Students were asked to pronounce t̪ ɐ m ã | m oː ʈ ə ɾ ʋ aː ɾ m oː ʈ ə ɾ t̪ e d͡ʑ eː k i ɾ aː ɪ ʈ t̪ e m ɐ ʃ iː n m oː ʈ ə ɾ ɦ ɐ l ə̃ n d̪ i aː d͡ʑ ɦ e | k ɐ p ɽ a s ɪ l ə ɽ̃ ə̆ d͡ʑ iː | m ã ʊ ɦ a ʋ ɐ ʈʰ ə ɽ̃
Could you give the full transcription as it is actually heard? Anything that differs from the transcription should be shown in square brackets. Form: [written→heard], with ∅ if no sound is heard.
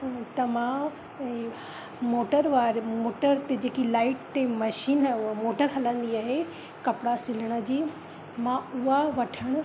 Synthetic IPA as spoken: t̪ ɐ m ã | m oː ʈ ə ɾ ʋ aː ɾ m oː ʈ ə ɾ t̪ e d͡ʑ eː k i [ɾ→l] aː ɪ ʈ t̪ e m ɐ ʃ iː n m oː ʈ ə ɾ ɦ ɐ l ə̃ n d̪ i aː [d͡ʑ→∅] ɦ e | k ɐ p ɽ a s ɪ l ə ɽ̃ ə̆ d͡ʑ iː | m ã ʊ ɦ a ʋ ɐ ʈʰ ə ɽ̃